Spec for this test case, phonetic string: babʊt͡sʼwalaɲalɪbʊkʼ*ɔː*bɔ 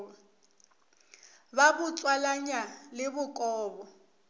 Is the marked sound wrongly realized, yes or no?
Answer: no